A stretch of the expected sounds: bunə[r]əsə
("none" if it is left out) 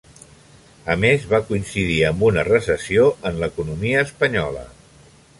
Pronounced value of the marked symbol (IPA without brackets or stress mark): r